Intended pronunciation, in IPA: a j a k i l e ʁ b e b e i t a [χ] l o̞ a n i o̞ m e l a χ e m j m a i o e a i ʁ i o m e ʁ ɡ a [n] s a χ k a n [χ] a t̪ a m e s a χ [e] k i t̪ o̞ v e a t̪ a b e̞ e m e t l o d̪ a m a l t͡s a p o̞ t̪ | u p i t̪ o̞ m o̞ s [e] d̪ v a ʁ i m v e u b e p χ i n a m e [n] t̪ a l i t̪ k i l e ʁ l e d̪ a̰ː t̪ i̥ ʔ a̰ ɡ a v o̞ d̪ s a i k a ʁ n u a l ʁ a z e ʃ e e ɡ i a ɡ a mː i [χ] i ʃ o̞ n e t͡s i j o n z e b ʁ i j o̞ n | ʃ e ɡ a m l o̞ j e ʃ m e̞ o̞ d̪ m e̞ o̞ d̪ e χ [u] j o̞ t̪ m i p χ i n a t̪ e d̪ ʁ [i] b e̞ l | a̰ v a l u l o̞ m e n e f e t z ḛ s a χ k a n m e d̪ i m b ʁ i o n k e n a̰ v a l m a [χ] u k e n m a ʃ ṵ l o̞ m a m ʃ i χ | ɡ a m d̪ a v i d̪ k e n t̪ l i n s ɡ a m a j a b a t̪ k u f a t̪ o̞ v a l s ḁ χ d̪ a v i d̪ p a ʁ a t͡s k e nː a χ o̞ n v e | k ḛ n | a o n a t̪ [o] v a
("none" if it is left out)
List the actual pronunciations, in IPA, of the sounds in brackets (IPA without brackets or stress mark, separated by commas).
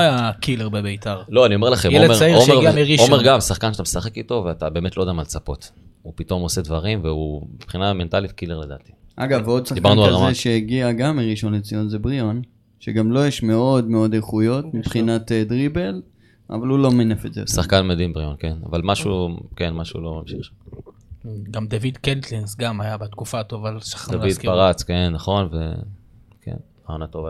ʁ, m, ʃ, e, e, n, ʁ, u, i, ʃ, o